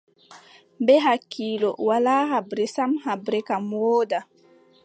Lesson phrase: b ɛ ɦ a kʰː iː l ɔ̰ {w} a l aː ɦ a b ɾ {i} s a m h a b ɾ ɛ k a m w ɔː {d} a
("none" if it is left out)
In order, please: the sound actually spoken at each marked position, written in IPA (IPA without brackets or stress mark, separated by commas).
w, ɛ, d